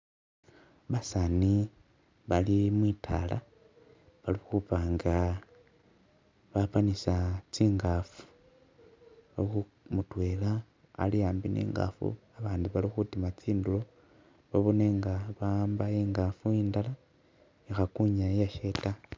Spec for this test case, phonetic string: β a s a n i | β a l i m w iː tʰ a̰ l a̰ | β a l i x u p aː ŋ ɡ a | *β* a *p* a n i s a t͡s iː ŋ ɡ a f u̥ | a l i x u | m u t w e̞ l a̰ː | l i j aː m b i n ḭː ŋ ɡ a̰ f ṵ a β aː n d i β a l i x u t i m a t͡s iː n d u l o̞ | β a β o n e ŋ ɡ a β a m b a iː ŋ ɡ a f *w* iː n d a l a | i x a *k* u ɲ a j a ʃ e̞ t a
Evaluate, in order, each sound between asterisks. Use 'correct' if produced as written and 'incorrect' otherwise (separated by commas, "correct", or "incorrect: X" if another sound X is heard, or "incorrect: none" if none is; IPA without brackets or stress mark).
correct, correct, incorrect: u, correct